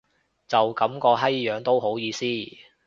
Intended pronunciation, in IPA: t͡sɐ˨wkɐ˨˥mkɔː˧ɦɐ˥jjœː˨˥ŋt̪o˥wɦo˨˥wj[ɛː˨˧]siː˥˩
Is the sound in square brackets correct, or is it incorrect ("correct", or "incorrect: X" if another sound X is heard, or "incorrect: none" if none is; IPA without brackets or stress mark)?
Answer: incorrect: iː˨˧